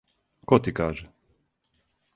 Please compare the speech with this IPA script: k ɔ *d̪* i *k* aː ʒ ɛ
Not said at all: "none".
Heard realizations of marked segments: t̪, k

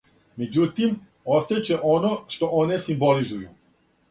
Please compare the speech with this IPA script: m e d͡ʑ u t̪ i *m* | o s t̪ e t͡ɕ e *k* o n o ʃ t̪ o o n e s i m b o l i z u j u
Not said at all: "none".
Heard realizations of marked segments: m, ʔ

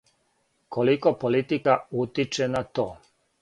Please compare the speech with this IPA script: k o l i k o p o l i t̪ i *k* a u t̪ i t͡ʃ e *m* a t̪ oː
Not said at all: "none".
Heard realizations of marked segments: k, n

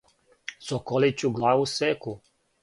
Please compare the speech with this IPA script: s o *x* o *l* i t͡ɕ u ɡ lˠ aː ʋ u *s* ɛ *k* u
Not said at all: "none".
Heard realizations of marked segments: k, l, s, k

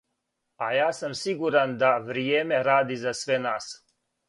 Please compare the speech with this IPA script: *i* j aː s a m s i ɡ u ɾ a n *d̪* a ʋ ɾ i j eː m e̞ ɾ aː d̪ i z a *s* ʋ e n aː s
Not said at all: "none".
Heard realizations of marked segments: a, d̪, s

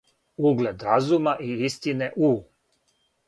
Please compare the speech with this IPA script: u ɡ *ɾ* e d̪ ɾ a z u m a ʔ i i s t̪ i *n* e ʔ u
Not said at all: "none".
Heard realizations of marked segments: l, n

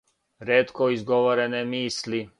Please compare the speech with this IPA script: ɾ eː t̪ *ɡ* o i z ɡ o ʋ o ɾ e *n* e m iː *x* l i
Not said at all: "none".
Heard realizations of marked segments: k, n, s

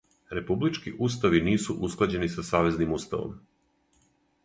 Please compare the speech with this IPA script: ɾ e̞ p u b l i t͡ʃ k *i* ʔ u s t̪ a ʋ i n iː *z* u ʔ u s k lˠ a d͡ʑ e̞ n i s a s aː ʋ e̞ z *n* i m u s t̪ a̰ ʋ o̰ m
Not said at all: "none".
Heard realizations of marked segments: i, s, n

